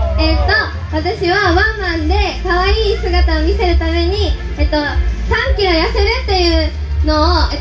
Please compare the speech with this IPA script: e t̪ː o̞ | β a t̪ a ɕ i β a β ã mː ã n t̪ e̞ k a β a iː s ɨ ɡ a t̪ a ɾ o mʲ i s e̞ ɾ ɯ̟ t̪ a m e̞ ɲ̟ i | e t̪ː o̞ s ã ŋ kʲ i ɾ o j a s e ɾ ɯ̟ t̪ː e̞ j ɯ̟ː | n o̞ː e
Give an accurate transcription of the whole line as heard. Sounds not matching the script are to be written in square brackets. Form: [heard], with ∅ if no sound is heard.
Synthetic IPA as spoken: e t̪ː o̞ | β a t̪ a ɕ i β a β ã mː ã n [d̪] e̞ k a β a iː s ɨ ɡ a t̪ a [∅] o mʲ i s e̞ ɾ ɯ̟ t̪ a m e̞ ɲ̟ i | e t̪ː o̞ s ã ŋ kʲ i ɾ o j a s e ɾ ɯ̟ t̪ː e̞ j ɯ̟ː | n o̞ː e